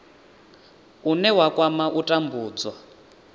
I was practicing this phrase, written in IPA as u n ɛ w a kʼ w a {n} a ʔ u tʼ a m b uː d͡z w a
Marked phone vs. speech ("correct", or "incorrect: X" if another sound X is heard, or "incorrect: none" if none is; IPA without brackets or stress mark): incorrect: m